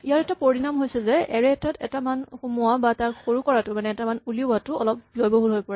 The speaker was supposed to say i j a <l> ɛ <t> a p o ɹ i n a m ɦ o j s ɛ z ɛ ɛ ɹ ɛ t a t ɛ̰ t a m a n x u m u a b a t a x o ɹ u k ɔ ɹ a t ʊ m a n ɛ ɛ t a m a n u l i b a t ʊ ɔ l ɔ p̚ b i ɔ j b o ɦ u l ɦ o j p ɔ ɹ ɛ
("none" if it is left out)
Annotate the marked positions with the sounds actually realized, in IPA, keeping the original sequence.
ɹ, t

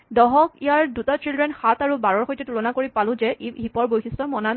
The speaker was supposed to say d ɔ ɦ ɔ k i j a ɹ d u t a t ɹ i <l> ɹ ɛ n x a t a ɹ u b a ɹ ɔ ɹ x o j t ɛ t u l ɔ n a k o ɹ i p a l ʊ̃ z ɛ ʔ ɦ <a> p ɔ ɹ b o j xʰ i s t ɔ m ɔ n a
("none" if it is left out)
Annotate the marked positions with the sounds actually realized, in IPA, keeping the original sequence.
l, i

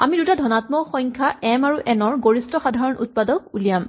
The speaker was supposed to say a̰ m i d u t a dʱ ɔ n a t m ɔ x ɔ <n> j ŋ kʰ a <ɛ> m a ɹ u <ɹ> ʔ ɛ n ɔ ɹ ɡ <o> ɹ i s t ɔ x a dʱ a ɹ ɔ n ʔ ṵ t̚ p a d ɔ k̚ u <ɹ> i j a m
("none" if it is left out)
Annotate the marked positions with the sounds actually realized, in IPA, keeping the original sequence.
none, ɛ, none, o, l

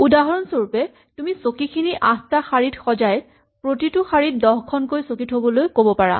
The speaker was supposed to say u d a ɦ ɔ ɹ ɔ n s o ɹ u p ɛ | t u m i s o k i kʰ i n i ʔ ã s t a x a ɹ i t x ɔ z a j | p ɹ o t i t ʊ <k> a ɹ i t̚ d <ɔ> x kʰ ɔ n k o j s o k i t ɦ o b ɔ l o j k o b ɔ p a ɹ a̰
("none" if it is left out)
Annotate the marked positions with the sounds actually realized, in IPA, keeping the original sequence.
x, ɔ

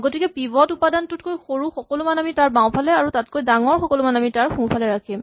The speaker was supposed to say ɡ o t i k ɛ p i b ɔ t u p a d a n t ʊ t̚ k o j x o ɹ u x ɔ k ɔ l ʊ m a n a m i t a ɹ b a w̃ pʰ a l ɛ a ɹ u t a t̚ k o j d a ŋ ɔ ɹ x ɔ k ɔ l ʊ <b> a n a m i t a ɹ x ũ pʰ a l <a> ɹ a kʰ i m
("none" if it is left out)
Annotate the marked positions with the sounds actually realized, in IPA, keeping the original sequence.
m, ɛ

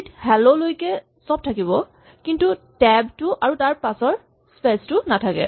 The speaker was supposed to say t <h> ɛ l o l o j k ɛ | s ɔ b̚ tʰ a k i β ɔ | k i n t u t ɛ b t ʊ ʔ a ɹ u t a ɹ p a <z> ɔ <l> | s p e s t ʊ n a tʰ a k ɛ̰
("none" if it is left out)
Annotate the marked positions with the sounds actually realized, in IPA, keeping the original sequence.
h, s, ɹ

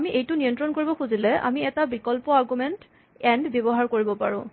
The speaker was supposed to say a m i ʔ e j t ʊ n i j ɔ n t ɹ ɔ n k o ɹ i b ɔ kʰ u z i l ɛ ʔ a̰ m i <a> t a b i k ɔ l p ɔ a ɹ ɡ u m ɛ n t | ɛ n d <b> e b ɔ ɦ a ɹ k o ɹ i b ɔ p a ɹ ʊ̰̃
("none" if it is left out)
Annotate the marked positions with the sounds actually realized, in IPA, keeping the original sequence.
ɛ, b

